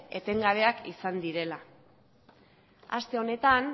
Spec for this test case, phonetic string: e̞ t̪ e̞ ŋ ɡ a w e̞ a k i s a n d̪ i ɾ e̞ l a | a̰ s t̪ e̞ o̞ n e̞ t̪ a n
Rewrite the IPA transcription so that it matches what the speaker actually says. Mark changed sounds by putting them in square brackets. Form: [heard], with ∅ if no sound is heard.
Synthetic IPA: e̞ t̪ e̞ ŋ ɡ a [β] e̞ a k i s a n d̪ i ɾ e̞ l a | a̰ s t̪ e̞ o̞ n e̞ t̪ a n